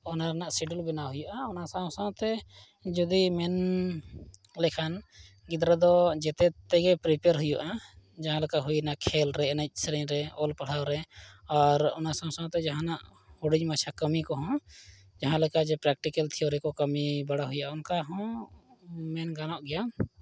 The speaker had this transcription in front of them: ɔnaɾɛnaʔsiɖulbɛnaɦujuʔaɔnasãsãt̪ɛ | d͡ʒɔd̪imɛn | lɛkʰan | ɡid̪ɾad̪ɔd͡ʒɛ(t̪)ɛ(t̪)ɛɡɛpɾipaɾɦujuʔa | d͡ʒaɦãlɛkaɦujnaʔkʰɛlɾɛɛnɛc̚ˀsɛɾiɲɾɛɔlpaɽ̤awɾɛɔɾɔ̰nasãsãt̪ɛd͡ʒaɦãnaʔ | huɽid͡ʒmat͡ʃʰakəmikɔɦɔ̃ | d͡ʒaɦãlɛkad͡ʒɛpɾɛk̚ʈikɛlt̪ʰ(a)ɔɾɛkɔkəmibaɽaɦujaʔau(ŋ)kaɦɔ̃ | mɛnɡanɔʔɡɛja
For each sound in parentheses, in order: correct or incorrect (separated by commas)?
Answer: correct, correct, incorrect, incorrect